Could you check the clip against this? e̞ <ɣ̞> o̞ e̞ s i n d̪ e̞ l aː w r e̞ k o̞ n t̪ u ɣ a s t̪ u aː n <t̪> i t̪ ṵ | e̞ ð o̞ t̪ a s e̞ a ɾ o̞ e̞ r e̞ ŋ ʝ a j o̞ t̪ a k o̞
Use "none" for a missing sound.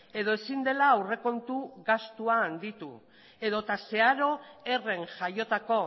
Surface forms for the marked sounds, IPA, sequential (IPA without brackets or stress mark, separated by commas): ð̞, d̪